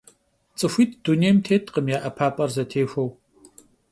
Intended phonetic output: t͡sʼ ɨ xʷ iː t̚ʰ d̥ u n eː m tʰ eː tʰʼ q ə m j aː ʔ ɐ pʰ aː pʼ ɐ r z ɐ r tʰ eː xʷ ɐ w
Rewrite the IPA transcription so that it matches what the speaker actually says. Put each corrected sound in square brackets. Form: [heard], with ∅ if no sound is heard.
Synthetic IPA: t͡sʼ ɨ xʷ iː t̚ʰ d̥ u n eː m tʰ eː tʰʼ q ə m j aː ʔ ɐ pʰ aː pʼ ɐ r z ɐ [∅] tʰ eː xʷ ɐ w